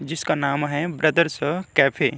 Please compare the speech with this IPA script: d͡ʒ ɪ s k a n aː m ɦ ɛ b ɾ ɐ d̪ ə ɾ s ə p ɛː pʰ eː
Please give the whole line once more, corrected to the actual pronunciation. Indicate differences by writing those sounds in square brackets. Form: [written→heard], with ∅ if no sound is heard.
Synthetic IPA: d͡ʒ ɪ s k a n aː m ɦ ɛ b ɾ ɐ d̪ ə ɾ s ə [p→k] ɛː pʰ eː